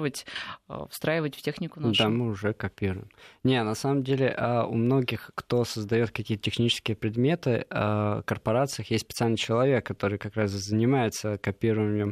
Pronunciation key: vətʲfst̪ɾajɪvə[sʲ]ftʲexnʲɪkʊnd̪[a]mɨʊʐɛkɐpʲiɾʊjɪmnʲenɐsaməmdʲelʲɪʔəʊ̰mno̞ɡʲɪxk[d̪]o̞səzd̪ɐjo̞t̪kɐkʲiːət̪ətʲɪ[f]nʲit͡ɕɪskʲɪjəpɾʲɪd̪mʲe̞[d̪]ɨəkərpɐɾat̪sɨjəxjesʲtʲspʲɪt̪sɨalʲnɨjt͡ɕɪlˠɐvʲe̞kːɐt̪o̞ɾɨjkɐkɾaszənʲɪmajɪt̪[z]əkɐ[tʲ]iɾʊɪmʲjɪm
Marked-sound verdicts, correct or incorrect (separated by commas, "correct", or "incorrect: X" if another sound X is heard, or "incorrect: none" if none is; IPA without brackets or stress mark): incorrect: tʲ, correct, incorrect: t̪, incorrect: x, incorrect: t̪, incorrect: s, incorrect: pʲ